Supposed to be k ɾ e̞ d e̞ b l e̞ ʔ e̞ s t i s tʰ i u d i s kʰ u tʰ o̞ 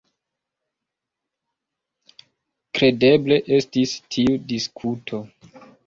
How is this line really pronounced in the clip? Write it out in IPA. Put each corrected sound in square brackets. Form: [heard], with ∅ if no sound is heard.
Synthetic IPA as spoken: k ɾ e̞ d e̞ b l e̞ ʔ e̞ s t i s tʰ i u d i s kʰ u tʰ o̞

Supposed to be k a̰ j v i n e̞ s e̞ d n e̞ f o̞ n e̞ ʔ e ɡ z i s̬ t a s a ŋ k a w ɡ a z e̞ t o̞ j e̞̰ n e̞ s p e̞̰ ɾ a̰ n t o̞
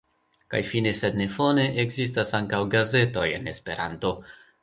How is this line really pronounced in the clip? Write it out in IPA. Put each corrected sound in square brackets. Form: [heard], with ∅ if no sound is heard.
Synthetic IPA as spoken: k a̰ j [f] i n e̞ s e̞ d n e̞ f o̞ n e̞ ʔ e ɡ z i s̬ t a s a ŋ k a w ɡ a z e̞ t o̞ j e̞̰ n e̞ s p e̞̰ ɾ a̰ n t o̞

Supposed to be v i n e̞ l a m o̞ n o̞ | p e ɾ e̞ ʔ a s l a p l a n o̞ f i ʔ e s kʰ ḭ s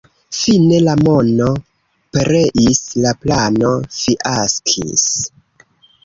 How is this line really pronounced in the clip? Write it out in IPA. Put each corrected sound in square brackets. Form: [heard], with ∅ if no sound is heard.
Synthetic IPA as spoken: [f] i n e̞ l a m o̞ n o̞ | p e ɾ e̞ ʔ [i] s l a p l a n o̞ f i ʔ [a] s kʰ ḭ s

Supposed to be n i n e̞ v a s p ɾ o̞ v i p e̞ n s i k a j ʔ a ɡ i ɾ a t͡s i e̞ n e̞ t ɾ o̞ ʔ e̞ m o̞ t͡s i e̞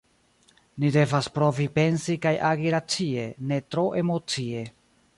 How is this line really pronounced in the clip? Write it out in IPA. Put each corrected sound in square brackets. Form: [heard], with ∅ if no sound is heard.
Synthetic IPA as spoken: n i [d] e̞ v a s p ɾ o̞ v i p e̞ n s i k a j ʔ a ɡ i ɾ a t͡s i e̞ n e̞ t ɾ o̞ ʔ e̞ m o̞ t͡s i e̞

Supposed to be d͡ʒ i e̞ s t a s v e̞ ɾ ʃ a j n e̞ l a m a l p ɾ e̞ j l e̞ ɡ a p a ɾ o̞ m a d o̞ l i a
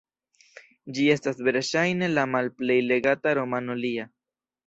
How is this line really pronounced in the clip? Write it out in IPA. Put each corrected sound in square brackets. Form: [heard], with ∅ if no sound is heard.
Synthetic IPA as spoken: d͡ʒ i e̞ s t a s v e̞ ɾ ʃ a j n e̞ l a m a l p [l] e̞ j l e̞ ɡ a [t] a ɾ o̞ m a [n] o̞ l i a

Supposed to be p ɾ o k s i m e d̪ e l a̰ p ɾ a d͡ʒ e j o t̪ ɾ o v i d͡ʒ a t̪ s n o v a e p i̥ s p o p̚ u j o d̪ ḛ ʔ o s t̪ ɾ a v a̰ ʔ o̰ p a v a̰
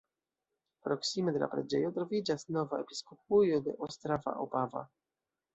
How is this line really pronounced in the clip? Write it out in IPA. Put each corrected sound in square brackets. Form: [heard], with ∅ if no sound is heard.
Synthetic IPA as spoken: p ɾ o k s i m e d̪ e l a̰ p ɾ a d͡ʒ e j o t̪ ɾ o v i d͡ʒ a [∅] s n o v a e p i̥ s [k] o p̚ u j o d̪ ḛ ʔ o s t̪ ɾ a v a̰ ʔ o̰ p a v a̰

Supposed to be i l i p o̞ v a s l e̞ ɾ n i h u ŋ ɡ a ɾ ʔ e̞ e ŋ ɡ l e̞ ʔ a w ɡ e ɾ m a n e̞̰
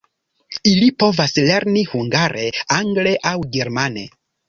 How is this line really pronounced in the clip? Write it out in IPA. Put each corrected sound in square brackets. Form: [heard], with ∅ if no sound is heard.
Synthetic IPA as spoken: i l i p o̞ v a s l e̞ ɾ n i h u ŋ ɡ a ɾ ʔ e̞ [a] ŋ ɡ l e̞ ʔ a w ɡ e ɾ m a n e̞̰

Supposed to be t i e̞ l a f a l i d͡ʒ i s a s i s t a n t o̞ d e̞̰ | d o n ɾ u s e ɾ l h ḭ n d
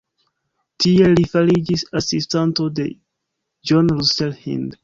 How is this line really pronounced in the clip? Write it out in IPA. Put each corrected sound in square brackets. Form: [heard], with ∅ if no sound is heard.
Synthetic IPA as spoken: t i e̞ l [i] f a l i d͡ʒ i s a s i s t a n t o̞ d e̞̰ | [d͡ʒ] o n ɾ u s e [∅] l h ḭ n d

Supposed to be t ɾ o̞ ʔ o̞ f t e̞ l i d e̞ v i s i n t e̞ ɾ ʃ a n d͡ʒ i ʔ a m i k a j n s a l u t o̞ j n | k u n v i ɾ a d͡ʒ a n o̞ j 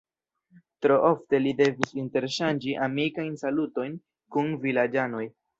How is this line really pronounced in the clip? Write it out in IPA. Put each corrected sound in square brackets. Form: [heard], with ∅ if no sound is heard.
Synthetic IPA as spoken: t ɾ o̞ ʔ o̞ f t e̞ l i d e̞ v i s i n t e̞ ɾ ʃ a n d͡ʒ i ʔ a m i k a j n s a l u t o̞ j n | k u n v i [l] a d͡ʒ a n o̞ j

